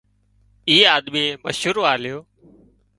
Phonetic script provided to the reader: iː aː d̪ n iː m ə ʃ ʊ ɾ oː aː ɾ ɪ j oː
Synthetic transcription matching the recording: iː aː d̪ m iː m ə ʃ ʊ ɾ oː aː l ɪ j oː

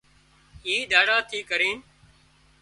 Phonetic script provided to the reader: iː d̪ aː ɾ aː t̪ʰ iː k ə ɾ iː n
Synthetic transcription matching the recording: iː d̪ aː ɽ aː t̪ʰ iː k ə ɾ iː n

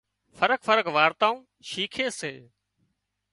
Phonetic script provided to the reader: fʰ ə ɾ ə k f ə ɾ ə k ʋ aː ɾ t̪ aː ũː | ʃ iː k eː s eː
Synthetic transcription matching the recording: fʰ ə ɾ ə k f ə ɾ ə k ʋ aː ɾ t̪ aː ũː | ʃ iː kʰ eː s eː

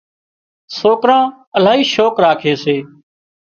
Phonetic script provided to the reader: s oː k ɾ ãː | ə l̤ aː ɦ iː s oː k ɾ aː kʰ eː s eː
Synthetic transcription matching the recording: s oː k ɾ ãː | ə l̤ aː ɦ iː ʃ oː k ɾ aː kʰ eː s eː

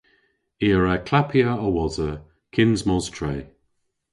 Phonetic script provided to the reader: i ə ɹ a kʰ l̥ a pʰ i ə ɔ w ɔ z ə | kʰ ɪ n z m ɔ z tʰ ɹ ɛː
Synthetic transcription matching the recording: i ə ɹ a kʰ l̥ a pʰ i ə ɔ w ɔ z ə | kʰ ɪ n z m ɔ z tʰ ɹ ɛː

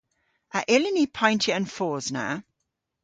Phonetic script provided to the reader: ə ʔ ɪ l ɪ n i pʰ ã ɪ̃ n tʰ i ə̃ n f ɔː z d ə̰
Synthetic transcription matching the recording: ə ʔ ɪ l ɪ n i pʰ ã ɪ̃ n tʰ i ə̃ n f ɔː z n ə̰

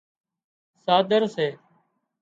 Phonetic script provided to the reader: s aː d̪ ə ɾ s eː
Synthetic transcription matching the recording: s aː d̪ ə ɾ s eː

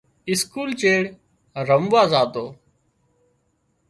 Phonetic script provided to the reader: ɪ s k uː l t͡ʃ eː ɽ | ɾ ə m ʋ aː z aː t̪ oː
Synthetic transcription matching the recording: ɪ s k uː l t͡ʃ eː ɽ | ɾ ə m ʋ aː z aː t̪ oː

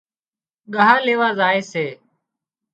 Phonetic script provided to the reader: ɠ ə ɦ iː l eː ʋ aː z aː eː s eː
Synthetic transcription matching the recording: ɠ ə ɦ aː l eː ʋ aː z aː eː s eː

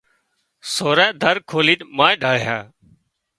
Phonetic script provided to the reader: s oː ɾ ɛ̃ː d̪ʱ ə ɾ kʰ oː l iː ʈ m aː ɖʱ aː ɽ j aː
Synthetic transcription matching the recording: s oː ɾ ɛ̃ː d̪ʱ ə ɾ kʰ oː l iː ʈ m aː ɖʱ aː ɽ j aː

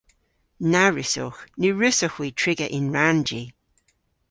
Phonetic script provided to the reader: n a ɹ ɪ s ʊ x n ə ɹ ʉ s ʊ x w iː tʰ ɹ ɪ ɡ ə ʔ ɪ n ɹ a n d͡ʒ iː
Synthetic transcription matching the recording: n a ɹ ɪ s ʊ x n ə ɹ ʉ s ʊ x w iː tʰ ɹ ɪ ɡ ə ʔ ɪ n ɹ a n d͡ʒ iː

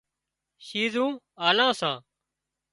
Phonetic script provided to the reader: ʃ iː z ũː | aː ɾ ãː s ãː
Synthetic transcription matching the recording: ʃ iː z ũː | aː l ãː s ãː

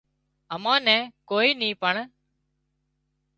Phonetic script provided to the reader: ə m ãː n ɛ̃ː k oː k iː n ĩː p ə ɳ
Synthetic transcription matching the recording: ə m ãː n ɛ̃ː k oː iː n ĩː p ə ɳ

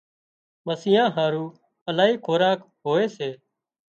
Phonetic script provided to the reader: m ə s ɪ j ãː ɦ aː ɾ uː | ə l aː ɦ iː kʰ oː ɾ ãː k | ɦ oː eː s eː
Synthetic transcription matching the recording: m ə s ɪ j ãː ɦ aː ɾ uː | ə l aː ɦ iː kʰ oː ɾ aː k | ɦ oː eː s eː

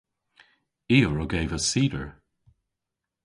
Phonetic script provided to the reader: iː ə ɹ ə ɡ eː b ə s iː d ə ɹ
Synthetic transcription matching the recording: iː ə ɹ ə ɡ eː v ə s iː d ə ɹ

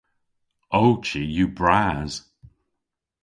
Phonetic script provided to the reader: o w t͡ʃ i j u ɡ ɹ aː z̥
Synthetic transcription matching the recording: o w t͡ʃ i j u b ɹ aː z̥

